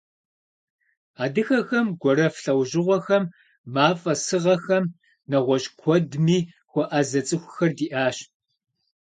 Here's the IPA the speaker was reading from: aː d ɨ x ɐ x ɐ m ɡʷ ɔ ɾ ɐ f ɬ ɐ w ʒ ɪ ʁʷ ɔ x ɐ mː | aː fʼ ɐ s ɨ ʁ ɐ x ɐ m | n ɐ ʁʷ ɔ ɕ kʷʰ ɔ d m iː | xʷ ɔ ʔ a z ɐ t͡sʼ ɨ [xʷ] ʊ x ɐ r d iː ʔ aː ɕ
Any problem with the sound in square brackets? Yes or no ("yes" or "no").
no